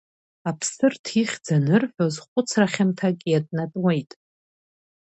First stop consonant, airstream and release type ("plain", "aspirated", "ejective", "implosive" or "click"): aspirated